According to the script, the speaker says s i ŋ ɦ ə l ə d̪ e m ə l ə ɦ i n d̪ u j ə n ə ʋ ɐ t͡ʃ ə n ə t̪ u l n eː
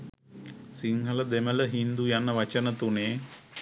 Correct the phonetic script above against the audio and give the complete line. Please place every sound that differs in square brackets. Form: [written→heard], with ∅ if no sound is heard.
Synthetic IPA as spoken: s i ŋ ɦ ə l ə d̪ e m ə l ə ɦ i n d̪ u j [ə→a] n ə ʋ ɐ t͡ʃ ə n ə t̪ u [l→∅] n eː